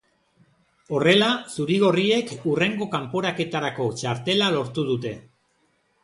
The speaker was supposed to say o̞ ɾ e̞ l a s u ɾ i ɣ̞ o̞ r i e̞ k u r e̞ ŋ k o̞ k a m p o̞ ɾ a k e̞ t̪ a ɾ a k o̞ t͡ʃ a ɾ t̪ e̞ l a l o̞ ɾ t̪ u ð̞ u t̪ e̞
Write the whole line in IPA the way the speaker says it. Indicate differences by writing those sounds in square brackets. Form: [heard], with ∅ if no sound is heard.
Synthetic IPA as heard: o̞ [r] e̞ l a s u ɾ i ɣ̞ o̞ r i e̞ k u r e̞ ŋ [ɡ] o̞ k a m p o̞ ɾ a k e̞ t̪ a ɾ a k o̞ t͡ʃ a ɾ t̪ e̞ l a l o̞ ɾ t̪ u ð̞ u t̪ e̞